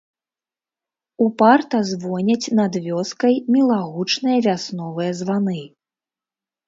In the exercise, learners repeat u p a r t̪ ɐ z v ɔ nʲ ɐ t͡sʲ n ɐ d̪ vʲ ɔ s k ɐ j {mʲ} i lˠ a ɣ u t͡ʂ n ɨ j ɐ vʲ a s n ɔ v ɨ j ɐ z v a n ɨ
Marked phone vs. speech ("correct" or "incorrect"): correct